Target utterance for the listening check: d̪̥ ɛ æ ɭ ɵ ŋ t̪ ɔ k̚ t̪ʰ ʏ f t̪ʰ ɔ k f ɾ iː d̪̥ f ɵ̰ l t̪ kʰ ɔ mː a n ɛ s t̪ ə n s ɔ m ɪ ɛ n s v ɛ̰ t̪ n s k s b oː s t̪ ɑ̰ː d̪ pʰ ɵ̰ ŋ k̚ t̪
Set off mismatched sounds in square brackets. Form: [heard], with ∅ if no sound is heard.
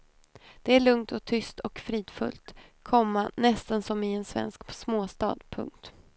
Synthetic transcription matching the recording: d̪̥ ɛ æ ɭ ɵ ŋ t̪ ɔ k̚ t̪ʰ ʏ [s] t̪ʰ ɔ k f ɾ iː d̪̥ f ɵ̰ l t̪ kʰ ɔ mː a n ɛ s t̪ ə n s ɔ m ɪ ɛ n s v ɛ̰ [∅] n s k s [m] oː s t̪ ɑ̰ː d̪ pʰ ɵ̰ ŋ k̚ t̪